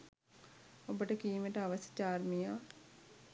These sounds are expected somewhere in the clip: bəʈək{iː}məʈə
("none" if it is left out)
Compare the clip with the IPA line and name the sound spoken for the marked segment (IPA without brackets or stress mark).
iː